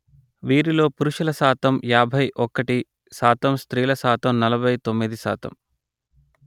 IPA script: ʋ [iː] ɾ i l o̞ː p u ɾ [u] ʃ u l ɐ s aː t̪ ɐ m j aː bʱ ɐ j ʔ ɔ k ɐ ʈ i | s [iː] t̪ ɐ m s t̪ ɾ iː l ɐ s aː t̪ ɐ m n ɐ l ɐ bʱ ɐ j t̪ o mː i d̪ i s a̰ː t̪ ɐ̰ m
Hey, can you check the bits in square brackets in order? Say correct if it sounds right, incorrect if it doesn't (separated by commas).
correct, correct, incorrect